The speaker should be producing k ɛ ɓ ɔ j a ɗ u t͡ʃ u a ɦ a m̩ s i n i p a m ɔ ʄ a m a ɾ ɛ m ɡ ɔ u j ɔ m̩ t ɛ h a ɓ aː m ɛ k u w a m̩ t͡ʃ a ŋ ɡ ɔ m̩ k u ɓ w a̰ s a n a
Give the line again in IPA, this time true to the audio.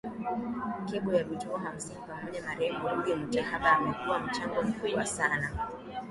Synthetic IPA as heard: k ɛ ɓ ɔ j a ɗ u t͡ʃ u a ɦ a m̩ s i n i p a m ɔ ʄ a m a ɾ ɛ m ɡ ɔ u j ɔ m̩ t ɛ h a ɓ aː m ɛ k u w a m̩ t͡ʃ a ŋ ɡ ɔ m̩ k u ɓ w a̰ s a n a